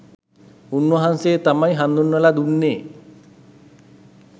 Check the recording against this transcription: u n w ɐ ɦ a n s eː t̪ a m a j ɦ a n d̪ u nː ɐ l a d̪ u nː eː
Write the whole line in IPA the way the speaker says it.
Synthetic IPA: u n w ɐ ɦ a n s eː t̪ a m a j ɦ a n d̪ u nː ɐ l a d̪ u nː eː